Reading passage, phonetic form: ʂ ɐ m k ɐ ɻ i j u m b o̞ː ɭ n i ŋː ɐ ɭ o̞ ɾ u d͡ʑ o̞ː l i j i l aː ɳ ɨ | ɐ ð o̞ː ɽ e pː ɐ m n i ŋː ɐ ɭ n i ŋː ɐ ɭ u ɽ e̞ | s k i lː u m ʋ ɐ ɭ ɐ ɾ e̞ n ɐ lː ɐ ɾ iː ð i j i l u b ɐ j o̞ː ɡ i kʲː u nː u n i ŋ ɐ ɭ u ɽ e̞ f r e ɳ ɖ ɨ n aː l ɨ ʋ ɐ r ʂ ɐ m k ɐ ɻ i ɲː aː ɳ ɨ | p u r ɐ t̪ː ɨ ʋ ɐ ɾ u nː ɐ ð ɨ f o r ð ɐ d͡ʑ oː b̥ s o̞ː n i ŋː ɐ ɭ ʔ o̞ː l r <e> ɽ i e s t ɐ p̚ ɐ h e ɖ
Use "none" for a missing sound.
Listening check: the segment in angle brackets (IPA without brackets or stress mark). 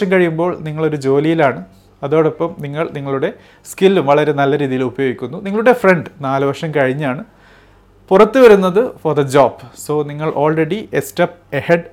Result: e